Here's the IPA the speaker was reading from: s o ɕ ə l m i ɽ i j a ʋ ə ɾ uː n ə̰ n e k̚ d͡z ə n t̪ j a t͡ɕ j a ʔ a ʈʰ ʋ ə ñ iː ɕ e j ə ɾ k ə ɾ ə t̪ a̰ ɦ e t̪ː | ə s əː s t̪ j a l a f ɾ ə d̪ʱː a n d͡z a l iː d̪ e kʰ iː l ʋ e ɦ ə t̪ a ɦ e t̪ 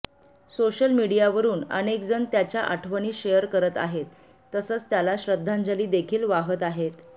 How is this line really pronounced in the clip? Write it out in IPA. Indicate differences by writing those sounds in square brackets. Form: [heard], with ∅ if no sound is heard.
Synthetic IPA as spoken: s o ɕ ə l m i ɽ i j a ʋ ə ɾ uː n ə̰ n e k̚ d͡z ə n t̪ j a t͡ɕ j a ʔ a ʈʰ ʋ ə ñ iː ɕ e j ə ɾ k ə ɾ ə t̪ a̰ ɦ e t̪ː | ə s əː [t͡s] t̪ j a l a [ɕ] ɾ ə d̪ʱː a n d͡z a l iː d̪ e kʰ iː l ʋ [a] ɦ ə t̪ a ɦ e t̪